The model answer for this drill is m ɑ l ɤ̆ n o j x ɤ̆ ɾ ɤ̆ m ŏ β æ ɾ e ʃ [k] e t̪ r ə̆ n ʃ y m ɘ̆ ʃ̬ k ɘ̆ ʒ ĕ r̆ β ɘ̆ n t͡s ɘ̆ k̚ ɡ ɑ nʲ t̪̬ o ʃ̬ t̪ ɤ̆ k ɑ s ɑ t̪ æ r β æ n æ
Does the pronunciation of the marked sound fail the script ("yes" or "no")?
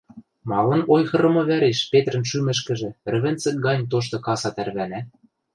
yes